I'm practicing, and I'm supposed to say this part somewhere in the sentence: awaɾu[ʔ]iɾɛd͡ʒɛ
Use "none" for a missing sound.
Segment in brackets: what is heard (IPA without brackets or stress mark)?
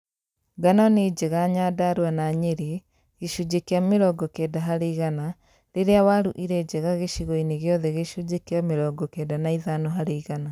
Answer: ʔ